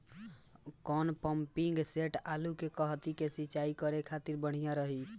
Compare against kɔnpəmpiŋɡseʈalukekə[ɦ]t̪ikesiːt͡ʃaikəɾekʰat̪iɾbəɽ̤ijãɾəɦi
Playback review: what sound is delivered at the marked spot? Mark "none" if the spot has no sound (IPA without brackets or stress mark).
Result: ɦ